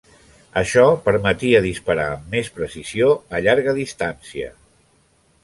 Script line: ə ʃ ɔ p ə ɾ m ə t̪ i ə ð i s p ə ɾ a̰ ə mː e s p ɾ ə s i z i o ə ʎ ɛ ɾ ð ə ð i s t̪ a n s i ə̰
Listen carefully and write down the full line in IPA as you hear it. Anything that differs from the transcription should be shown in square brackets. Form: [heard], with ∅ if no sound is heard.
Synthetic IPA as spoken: ə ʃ ɔ p ə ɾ m ə t̪ i ə ð i s p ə ɾ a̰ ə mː e s p ɾ ə s i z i o ə ʎ [a] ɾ [ɣ] ə ð i s t̪ a n s i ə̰